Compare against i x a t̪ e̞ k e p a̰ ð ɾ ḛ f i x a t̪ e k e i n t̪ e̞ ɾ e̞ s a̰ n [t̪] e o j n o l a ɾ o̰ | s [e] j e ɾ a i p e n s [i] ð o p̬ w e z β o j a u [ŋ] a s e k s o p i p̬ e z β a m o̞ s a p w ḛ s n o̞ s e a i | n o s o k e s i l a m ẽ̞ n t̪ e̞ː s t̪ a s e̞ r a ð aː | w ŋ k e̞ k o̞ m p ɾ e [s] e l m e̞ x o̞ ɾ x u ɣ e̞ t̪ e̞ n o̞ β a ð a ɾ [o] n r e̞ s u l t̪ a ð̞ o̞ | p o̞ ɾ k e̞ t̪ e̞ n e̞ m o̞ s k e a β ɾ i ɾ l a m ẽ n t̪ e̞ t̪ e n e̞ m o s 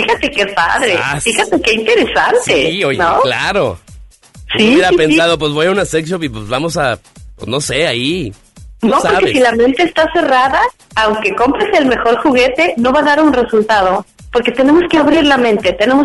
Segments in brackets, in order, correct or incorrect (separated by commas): correct, incorrect, incorrect, incorrect, correct, incorrect